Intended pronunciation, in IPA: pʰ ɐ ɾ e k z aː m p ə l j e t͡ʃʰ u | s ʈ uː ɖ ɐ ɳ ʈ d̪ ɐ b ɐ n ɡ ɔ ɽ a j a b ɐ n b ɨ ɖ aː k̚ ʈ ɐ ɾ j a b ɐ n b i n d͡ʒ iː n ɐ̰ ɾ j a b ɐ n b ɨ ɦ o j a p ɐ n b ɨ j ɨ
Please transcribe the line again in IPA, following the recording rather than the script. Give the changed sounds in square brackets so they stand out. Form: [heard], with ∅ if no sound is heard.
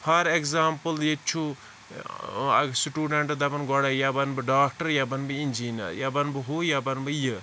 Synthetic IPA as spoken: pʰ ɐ ɾ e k z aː m p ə l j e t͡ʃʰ u | s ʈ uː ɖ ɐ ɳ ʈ d̪ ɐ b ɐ n ɡ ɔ ɽ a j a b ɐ n b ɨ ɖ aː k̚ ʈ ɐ ɾ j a b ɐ n b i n d͡ʒ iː n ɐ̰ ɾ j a b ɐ n b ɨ ɦ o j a [b] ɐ n b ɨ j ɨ